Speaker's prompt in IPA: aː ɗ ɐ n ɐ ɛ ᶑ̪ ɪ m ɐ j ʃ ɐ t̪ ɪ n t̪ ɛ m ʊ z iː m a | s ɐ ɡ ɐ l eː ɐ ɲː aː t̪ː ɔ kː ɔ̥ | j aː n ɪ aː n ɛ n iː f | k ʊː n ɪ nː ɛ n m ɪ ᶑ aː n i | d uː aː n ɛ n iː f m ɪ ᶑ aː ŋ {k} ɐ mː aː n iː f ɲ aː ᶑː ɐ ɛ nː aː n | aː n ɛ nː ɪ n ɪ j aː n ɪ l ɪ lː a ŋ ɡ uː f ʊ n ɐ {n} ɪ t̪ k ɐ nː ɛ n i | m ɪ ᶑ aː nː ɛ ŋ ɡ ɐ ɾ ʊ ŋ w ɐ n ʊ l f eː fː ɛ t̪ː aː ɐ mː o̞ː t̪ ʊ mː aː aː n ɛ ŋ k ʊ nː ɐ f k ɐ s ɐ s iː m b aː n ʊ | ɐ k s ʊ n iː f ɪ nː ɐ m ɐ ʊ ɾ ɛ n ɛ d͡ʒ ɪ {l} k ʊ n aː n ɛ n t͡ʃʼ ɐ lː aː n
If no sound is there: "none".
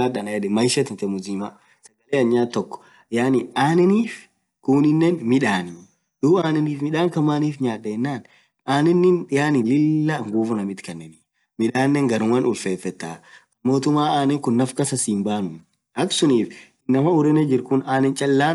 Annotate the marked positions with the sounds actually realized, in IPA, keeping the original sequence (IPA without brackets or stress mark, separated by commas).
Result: k, m, ɾ